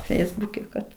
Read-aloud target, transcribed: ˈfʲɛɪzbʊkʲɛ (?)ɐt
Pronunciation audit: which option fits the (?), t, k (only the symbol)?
k